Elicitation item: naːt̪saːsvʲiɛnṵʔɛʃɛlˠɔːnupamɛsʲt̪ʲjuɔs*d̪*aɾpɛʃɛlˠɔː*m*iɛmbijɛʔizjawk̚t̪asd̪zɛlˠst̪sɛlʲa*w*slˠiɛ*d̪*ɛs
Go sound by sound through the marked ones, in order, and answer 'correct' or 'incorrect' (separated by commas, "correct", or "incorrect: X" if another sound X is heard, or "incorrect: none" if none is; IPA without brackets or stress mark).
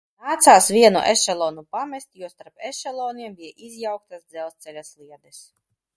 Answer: incorrect: t̪, incorrect: n, incorrect: none, correct